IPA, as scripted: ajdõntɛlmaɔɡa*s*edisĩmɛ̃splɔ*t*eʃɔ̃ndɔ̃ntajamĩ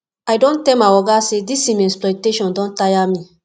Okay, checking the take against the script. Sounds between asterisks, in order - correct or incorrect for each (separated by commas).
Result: correct, correct